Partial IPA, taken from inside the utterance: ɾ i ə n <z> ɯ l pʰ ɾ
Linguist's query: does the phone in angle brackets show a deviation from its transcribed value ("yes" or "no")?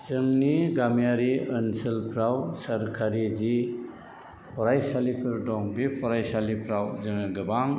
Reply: yes